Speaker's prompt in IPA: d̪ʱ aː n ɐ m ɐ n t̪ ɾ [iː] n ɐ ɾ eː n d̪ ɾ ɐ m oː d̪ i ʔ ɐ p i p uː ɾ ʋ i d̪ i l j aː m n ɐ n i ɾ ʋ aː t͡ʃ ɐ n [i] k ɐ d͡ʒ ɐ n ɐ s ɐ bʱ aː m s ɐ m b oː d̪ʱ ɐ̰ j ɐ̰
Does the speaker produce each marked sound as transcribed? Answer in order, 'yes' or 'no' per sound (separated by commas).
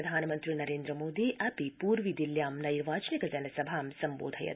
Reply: no, yes